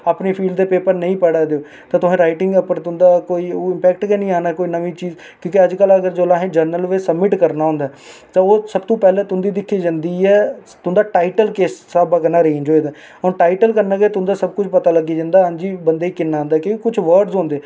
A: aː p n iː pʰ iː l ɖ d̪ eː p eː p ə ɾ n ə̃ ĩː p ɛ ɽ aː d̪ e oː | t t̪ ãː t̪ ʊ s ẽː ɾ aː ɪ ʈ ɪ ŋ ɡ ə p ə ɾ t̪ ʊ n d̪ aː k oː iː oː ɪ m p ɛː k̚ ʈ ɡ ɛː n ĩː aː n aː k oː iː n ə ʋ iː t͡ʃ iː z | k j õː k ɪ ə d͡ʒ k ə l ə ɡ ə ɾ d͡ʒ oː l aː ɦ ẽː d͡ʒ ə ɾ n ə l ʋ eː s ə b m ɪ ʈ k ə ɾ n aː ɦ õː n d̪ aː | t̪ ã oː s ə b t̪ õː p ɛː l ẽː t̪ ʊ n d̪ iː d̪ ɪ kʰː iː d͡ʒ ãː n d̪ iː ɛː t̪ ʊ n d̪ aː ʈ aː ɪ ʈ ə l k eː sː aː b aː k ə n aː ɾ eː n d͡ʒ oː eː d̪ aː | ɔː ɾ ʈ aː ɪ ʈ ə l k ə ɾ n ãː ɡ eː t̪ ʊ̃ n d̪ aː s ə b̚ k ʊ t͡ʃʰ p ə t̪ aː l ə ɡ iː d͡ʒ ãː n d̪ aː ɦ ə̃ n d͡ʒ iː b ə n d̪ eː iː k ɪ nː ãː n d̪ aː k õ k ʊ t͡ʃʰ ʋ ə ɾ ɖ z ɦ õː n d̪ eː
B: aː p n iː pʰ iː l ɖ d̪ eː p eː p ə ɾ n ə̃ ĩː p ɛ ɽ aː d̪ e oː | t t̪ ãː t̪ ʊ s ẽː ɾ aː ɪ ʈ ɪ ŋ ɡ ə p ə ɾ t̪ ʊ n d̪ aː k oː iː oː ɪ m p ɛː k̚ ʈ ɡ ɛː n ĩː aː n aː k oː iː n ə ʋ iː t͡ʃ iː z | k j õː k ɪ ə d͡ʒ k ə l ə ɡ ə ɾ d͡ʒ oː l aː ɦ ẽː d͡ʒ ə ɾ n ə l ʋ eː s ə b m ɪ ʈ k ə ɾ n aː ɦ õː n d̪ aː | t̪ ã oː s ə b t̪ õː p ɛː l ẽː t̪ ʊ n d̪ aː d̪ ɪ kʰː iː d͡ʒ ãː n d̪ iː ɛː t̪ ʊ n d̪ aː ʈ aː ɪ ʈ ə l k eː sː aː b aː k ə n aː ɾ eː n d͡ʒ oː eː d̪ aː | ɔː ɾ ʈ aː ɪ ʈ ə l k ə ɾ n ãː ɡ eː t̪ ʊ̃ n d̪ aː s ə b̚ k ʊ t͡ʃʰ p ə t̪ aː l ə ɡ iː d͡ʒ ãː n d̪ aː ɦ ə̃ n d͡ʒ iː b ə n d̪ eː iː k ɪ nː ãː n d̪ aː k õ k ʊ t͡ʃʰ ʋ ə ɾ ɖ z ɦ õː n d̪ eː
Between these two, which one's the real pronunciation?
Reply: A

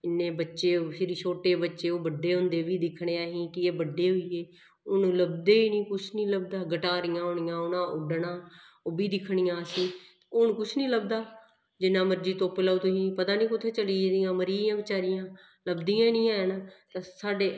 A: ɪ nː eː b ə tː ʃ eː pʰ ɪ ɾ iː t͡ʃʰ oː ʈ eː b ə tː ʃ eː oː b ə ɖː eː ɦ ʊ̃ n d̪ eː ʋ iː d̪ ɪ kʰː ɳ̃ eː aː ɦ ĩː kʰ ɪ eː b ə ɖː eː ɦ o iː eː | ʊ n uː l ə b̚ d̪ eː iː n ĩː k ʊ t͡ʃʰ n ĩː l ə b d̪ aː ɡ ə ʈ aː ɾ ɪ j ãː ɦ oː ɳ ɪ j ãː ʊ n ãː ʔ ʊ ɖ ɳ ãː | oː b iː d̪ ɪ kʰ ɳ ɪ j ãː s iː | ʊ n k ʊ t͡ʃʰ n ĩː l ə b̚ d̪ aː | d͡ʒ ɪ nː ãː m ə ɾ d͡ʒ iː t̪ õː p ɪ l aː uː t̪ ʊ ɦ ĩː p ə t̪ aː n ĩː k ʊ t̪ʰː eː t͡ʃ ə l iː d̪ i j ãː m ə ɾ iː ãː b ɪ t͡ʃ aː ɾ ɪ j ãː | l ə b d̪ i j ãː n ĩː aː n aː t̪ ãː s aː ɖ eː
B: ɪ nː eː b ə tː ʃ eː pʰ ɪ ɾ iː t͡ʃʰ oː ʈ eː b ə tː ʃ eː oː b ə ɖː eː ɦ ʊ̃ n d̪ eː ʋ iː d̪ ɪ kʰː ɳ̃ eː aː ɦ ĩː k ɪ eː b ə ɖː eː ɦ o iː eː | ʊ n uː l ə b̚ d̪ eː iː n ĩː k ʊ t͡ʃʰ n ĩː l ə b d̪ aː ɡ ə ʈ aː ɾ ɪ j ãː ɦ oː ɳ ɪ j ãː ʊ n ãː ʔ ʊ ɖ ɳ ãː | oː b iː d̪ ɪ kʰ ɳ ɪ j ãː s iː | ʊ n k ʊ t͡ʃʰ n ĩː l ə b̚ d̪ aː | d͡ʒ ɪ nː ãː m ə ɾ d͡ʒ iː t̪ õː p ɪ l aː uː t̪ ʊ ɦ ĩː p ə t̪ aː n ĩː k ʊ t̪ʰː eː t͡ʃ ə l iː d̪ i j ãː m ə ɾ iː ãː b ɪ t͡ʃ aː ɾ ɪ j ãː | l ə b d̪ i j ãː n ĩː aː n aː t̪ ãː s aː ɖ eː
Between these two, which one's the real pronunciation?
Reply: B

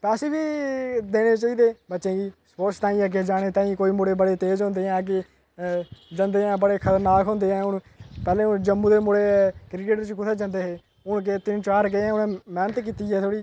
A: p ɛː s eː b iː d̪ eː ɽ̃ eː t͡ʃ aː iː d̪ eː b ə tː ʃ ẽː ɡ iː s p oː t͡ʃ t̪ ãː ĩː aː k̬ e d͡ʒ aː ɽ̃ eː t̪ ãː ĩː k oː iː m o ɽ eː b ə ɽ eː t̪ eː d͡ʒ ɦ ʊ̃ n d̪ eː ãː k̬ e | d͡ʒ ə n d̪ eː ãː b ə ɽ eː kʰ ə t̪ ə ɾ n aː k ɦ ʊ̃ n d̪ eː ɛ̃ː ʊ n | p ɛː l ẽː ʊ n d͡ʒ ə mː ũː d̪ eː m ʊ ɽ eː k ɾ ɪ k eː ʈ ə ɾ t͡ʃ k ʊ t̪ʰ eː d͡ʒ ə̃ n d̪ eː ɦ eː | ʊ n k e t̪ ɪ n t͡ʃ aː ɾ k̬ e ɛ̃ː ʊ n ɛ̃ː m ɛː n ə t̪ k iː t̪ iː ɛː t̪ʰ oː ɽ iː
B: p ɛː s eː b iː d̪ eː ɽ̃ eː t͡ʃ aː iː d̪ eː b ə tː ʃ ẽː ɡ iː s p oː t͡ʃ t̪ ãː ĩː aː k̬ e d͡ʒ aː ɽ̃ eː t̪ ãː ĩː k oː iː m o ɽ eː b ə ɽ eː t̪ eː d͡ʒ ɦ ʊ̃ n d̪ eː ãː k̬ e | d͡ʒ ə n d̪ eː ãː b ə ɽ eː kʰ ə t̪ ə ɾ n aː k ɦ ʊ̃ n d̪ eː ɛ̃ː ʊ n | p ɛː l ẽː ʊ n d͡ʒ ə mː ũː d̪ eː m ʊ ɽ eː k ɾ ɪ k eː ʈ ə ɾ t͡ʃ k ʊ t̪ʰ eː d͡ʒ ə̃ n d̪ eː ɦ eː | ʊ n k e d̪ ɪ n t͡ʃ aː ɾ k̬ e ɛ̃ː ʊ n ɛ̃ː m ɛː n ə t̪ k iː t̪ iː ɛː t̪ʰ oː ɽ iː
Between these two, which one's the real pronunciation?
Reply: A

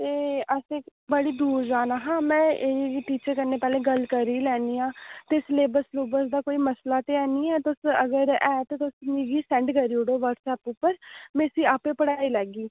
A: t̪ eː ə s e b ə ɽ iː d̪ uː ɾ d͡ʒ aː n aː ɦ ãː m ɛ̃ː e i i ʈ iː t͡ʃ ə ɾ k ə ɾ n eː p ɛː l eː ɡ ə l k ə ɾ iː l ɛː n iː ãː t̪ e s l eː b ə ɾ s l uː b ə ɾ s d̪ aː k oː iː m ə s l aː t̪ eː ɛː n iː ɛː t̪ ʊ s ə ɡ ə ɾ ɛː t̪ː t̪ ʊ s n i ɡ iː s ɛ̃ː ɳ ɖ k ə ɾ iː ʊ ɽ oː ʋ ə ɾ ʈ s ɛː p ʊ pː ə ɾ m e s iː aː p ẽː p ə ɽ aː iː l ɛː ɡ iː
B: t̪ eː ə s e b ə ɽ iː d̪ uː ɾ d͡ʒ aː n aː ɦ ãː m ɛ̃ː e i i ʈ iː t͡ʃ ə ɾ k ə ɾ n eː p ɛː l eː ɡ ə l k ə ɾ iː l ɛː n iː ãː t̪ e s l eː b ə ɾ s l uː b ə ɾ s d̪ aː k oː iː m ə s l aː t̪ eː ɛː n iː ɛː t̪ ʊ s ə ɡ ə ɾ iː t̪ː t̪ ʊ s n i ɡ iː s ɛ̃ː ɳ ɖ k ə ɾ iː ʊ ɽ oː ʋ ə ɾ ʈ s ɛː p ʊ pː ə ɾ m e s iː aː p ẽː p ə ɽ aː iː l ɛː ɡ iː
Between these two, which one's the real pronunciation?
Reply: A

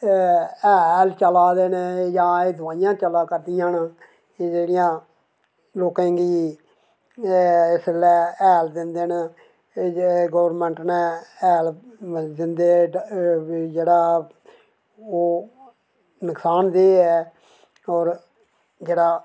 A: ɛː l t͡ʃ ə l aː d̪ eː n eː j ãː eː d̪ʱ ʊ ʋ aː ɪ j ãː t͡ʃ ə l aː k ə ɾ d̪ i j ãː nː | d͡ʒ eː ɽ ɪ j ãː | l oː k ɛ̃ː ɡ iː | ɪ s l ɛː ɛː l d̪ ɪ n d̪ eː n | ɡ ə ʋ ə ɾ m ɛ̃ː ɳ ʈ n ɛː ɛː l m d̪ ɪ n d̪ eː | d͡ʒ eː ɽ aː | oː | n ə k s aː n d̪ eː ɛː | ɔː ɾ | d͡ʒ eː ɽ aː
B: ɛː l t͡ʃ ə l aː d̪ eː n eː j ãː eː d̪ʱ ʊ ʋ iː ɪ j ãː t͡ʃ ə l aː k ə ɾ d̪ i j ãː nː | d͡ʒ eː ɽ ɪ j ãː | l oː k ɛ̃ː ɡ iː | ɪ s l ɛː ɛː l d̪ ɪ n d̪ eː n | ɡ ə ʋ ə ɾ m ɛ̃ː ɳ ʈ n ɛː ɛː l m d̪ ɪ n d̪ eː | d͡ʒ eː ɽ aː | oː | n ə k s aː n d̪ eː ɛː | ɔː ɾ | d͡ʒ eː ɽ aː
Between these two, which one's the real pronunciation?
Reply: A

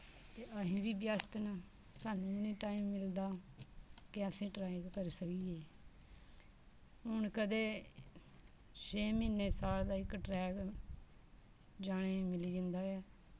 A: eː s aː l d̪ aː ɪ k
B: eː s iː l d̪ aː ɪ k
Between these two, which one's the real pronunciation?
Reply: A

